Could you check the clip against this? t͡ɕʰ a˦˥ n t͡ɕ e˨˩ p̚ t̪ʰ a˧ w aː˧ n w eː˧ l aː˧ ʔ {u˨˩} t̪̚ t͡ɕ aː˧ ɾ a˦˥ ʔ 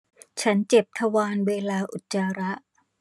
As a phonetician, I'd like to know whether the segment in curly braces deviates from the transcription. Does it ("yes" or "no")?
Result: no